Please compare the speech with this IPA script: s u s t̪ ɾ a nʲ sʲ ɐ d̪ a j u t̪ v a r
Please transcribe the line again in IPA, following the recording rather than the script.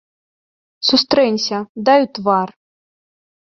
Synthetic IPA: s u s t̪ ɾ ɛ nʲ sʲ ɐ d̪ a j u t̪ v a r